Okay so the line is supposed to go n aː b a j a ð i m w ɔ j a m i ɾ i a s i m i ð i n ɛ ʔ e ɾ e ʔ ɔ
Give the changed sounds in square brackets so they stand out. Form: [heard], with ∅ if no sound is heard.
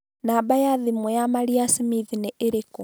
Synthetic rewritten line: n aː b a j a ð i m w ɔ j a m [a] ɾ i a s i m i ð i n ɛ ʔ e ɾ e [k] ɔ

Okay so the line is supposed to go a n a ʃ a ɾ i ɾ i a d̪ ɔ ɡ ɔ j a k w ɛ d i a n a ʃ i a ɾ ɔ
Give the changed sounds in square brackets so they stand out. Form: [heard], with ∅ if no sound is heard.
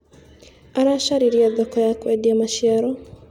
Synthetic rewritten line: a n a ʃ a ɾ i ɾ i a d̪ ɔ [k] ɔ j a k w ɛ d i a [m] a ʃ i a ɾ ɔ

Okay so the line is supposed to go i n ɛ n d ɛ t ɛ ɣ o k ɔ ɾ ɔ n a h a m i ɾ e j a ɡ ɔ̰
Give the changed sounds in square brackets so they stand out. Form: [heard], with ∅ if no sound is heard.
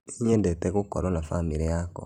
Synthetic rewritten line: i [ɲ] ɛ n d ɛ t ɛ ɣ o k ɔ ɾ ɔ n a [f] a m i ɾ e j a [k] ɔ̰

